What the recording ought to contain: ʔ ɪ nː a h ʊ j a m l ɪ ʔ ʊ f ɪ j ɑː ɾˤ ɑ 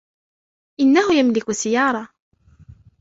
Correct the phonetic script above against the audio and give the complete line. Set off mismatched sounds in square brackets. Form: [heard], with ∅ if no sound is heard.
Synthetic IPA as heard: ʔ ɪ nː a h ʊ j a m l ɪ [k] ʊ [s] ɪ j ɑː ɾˤ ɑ